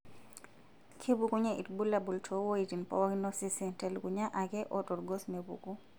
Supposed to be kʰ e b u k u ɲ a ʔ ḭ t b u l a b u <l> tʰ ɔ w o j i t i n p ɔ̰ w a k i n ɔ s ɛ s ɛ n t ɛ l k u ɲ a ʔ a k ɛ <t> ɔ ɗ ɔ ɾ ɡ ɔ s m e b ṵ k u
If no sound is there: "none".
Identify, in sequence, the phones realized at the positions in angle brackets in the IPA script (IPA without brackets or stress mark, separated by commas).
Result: l, ʔ